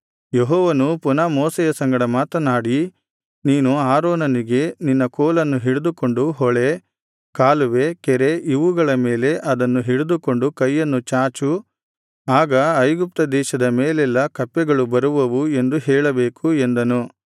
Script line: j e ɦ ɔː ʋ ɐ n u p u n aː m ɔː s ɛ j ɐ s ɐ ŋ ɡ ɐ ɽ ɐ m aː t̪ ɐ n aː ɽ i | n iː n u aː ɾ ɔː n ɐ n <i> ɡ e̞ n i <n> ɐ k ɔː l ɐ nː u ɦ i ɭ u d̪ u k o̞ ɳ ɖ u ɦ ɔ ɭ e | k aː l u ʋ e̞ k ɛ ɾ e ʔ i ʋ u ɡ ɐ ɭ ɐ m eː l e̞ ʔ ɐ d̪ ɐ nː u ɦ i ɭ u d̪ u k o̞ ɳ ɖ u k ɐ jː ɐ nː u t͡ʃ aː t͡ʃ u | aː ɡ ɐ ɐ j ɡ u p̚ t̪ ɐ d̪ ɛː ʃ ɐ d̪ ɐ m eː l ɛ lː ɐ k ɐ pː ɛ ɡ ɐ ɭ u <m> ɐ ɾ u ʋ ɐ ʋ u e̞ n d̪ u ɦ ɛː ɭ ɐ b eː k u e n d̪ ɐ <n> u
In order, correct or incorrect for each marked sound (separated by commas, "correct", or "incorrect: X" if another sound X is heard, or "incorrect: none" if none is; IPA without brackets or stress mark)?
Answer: correct, incorrect: nː, incorrect: b, correct